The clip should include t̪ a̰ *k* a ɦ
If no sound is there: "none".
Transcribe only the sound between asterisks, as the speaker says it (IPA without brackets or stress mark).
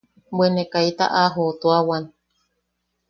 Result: ʔ